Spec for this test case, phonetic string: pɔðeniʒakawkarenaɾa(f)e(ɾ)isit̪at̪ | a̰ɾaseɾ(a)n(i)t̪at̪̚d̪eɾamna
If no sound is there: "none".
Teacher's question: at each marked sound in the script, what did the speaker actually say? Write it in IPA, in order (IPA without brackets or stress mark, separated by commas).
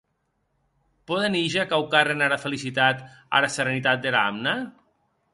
f, l, e, i